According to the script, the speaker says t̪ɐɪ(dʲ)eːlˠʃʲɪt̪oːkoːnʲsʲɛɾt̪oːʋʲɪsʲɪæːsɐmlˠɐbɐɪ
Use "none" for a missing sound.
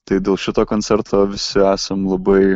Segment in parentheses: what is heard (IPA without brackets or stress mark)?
dʲ